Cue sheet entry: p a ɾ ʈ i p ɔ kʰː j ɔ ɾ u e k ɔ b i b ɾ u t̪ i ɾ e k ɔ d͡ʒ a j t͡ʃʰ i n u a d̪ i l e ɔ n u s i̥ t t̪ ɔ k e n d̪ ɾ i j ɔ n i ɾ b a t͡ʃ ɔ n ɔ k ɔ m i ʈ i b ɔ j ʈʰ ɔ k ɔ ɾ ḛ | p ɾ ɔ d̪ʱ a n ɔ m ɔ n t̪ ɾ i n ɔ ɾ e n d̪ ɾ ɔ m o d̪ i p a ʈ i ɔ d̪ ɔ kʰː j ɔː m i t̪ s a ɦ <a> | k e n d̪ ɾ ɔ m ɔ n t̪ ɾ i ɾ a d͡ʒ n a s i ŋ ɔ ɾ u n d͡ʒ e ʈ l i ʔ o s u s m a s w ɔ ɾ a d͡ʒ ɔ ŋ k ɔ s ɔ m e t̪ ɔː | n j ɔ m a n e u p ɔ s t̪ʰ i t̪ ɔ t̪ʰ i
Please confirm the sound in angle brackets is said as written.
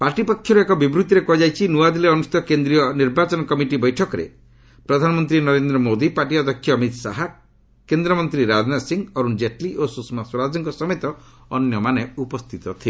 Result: yes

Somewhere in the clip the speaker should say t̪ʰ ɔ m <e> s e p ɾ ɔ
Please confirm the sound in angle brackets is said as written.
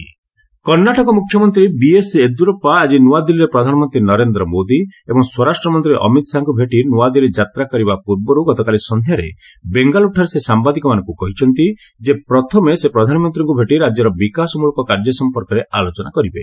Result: yes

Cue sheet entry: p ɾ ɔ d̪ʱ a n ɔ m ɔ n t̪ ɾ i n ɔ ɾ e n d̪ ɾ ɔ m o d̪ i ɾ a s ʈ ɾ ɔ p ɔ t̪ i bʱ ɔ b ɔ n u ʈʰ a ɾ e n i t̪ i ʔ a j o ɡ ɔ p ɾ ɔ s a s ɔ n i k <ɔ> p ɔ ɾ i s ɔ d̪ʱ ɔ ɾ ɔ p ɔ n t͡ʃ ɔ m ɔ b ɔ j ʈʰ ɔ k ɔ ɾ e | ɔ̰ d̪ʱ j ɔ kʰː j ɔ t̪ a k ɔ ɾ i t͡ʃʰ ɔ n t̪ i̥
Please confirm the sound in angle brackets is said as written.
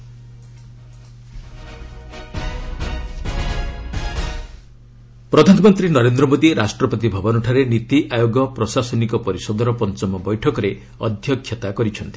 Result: yes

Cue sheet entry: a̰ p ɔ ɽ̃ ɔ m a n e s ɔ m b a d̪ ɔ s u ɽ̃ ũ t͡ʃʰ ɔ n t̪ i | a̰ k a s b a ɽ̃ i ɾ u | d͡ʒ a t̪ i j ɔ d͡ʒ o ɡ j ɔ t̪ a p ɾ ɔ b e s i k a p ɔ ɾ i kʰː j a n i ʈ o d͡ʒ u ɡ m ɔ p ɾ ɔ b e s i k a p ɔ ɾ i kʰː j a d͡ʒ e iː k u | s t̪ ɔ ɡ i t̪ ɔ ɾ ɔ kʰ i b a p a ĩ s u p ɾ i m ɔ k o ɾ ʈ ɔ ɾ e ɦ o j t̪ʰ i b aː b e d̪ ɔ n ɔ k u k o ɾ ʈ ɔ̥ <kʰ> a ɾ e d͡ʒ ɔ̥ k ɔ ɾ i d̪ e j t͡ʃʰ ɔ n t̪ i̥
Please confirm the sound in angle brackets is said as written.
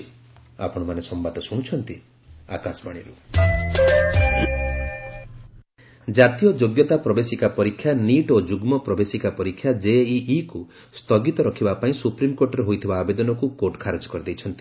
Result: yes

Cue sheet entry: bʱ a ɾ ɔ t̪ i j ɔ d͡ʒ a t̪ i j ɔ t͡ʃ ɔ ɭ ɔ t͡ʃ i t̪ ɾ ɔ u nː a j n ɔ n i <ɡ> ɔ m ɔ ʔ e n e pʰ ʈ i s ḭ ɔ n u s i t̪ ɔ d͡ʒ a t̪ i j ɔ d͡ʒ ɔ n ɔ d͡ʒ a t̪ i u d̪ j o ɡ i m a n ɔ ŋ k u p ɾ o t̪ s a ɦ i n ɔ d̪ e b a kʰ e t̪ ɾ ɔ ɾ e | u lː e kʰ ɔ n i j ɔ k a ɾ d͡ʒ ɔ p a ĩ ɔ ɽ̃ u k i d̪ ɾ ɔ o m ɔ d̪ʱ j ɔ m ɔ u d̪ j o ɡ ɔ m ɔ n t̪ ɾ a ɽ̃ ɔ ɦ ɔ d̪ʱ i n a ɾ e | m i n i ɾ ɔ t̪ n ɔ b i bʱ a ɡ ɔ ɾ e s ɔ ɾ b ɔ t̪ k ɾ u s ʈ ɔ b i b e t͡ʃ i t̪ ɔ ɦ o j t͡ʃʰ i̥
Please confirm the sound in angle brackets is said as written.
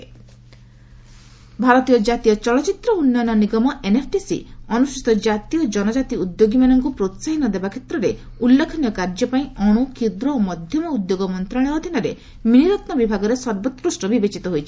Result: yes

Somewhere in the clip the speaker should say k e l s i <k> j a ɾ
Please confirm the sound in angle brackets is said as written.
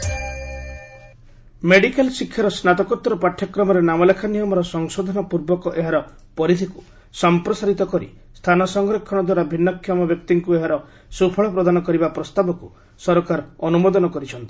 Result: no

